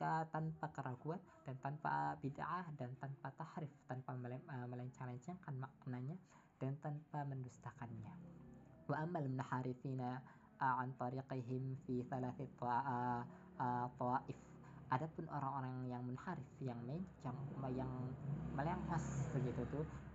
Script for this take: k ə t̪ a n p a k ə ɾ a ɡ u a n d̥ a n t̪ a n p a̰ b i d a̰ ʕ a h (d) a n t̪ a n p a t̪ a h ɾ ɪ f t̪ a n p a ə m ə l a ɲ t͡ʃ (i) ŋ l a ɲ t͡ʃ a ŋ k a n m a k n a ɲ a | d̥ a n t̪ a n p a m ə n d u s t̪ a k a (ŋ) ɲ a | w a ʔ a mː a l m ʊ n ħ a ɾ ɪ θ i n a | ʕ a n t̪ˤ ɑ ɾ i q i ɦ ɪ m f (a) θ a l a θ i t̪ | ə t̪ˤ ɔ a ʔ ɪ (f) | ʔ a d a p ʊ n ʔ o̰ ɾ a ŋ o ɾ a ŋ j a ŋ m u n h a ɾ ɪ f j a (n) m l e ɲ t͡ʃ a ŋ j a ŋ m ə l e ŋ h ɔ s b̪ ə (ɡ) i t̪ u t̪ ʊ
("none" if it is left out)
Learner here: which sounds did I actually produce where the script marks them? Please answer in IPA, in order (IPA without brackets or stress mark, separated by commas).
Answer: d, a, n, i, f, ŋ, ɡ